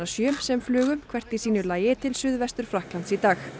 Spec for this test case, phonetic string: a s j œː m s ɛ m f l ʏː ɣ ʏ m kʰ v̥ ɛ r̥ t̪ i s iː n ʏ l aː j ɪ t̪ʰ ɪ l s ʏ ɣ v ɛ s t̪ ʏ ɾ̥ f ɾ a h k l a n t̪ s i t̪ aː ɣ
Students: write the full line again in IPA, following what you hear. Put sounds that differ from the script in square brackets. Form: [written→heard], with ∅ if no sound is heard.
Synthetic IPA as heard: a s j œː m s ɛ m f l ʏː ɣ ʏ m kʰ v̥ ɛ r̥ t̪ i s iː n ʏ l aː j ɪ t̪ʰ ɪ l s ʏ [ɣ→ð] v ɛ s t̪ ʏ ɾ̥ f ɾ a h k l a n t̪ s i t̪ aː [ɣ→x]